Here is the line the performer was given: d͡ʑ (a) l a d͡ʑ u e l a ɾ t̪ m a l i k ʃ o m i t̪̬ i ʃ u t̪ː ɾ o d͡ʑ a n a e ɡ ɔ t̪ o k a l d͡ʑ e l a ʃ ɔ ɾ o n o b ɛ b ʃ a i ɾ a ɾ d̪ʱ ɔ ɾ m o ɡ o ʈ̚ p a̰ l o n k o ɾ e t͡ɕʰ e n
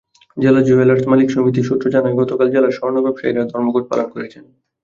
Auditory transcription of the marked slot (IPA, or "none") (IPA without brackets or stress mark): e